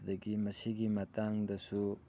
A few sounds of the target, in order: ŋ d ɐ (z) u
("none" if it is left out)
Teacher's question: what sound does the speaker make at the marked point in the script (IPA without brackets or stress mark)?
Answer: s